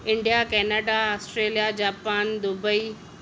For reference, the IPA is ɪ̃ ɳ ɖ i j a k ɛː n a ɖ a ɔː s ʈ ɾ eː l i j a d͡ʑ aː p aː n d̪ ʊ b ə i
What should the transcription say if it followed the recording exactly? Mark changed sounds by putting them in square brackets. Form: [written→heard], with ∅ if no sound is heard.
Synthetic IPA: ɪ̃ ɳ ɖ i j a k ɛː n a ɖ a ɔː s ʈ ɾ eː l i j a d͡ʑ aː p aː n d̪ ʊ b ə i

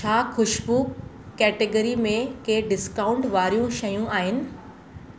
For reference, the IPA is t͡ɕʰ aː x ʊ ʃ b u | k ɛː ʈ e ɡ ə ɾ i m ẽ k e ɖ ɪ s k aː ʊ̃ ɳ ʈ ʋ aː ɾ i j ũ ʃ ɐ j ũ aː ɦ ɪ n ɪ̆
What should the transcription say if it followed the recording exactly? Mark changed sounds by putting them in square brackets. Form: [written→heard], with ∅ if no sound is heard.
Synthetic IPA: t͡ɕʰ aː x ʊ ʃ b u | k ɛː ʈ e ɡ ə ɾ i m ẽ k e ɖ ɪ s k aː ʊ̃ ɳ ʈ ʋ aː ɾ i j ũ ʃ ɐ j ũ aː ɦ ɪ n ɪ̆

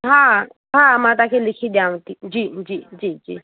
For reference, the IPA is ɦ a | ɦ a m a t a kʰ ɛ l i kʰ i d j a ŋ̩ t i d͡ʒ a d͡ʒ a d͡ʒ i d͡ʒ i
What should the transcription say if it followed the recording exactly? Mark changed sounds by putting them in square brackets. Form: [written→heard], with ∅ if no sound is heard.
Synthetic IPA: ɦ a | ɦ a m a t a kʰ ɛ l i kʰ i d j a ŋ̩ t i d͡ʒ [a→i] d͡ʒ [a→i] d͡ʒ i d͡ʒ i

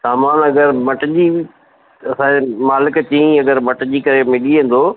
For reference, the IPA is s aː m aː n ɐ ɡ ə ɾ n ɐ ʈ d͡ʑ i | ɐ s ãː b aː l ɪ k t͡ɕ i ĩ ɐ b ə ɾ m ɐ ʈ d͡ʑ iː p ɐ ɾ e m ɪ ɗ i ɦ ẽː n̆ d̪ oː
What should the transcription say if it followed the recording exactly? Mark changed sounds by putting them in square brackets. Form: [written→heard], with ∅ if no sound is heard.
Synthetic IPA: s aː m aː n ɐ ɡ ə ɾ [n→m] ɐ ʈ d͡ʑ i | ɐ s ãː [b→m] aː l ɪ k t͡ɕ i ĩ ɐ [b→ɡ] ə ɾ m ɐ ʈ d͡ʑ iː [p→k] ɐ ɾ e m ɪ ɗ i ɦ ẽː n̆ d̪ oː

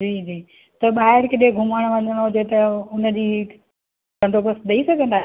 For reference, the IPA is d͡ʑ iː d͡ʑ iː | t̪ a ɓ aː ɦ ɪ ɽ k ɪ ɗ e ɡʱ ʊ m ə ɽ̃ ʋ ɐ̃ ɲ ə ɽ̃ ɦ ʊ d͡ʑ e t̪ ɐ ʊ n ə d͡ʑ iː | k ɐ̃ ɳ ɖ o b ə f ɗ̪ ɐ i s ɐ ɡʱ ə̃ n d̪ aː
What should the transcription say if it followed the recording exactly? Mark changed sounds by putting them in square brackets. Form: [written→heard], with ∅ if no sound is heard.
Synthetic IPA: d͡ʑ iː d͡ʑ iː | t̪ [a→ɐ] ɓ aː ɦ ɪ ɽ k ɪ ɗ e ɡʱ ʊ m ə ɽ̃ ʋ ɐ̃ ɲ ə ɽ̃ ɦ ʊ d͡ʑ e t̪ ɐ ʊ n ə d͡ʑ iː | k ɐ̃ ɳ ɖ o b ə [f→s] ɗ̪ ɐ i s ɐ ɡʱ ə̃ n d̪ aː

